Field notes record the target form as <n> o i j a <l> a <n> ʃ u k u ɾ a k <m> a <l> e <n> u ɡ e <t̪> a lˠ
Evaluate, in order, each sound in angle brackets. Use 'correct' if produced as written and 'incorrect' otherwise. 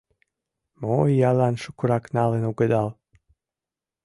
incorrect: m, correct, correct, incorrect: n, correct, correct, incorrect: d̪

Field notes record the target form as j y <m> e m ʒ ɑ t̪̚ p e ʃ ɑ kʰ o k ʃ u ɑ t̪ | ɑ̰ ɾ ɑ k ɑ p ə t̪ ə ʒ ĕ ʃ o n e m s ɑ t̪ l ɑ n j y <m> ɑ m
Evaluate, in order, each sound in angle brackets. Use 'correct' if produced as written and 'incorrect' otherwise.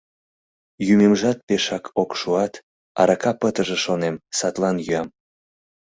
correct, incorrect: none

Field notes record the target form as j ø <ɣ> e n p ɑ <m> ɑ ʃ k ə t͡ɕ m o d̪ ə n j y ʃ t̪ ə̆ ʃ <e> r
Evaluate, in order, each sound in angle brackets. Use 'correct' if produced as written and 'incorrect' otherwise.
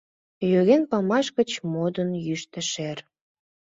correct, correct, correct

